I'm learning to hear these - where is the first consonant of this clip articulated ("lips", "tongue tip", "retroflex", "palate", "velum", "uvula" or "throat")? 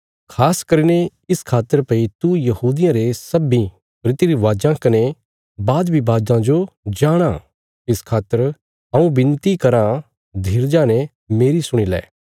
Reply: velum